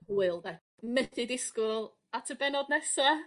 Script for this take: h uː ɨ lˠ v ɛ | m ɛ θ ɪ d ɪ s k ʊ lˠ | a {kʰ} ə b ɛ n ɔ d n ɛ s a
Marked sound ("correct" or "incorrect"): incorrect